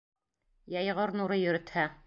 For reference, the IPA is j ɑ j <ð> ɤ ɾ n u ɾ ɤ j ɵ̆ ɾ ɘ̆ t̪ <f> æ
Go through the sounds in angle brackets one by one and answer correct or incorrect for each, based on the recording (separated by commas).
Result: incorrect, incorrect